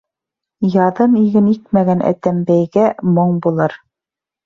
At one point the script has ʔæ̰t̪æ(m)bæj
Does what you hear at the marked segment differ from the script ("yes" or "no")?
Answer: no